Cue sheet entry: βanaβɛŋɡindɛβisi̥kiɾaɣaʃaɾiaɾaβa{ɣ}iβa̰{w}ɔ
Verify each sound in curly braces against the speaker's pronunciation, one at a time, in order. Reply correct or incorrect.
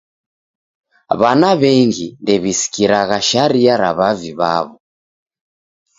incorrect, incorrect

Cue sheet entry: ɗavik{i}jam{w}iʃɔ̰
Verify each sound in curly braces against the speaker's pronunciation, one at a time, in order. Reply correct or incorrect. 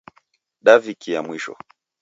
correct, correct

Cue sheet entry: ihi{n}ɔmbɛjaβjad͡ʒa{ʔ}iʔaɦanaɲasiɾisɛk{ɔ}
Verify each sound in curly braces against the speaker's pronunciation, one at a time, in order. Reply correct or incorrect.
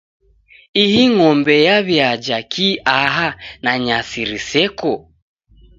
incorrect, incorrect, correct

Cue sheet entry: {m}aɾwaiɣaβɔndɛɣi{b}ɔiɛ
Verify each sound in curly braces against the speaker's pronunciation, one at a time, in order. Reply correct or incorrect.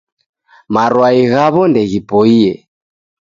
correct, incorrect

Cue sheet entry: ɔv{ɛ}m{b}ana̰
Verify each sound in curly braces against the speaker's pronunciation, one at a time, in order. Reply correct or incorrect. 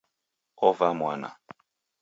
incorrect, incorrect

